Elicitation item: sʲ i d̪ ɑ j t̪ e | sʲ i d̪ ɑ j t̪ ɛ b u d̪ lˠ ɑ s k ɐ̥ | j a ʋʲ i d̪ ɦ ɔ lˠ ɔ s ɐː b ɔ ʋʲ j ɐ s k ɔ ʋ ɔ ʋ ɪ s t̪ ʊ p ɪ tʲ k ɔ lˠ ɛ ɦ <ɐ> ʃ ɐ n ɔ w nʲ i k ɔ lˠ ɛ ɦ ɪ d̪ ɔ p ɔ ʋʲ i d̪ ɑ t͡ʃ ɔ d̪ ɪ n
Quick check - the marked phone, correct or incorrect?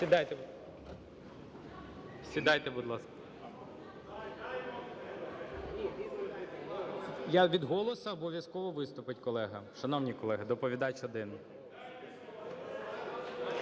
correct